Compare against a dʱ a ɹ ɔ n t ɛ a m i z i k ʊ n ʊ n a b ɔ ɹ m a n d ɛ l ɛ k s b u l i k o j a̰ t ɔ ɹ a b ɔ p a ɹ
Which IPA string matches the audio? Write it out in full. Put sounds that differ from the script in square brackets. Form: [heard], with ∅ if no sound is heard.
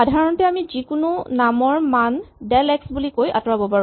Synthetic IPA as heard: a dʱ a ɹ ɔ n t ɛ a m i z i k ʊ n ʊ n a [m] ɔ ɹ m a n d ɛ l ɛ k s b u l i k o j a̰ t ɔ ɹ a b ɔ p a ɹ